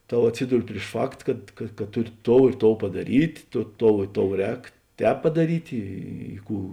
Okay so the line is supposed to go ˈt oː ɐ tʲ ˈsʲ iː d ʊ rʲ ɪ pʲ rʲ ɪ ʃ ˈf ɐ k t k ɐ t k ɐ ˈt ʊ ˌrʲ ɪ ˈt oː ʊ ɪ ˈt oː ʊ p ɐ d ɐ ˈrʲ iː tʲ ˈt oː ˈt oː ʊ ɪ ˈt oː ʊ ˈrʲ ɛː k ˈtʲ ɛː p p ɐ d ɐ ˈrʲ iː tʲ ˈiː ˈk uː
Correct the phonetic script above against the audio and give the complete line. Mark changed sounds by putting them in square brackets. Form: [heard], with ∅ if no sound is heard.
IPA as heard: ˈt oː ɐ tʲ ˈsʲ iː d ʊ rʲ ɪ pʲ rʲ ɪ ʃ ˈf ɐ k t k ɐ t k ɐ ˈt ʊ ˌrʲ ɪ ˈt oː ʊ ɪ ˈt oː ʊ p ɐ d ɐ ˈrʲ iː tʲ ˈt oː ˈt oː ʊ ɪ ˈt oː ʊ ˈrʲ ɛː k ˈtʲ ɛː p p ɐ d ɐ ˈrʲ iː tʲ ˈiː ˈk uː